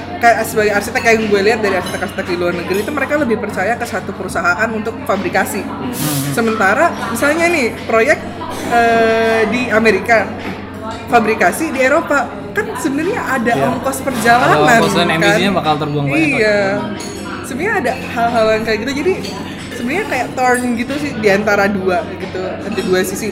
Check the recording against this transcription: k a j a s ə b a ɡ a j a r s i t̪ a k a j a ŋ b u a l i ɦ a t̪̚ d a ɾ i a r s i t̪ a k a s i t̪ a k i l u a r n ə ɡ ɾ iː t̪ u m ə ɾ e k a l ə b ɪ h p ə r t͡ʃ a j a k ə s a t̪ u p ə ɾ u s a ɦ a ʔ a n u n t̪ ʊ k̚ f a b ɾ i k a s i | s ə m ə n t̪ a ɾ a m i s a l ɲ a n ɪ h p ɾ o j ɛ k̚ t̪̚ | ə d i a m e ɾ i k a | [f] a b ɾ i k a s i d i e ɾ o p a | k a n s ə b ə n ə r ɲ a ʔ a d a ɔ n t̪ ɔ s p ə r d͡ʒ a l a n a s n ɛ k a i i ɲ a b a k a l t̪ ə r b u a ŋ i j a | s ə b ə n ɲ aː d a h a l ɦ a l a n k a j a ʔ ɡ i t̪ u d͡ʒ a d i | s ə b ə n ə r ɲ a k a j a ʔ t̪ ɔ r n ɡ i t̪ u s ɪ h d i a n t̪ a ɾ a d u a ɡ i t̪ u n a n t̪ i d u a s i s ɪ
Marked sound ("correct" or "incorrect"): correct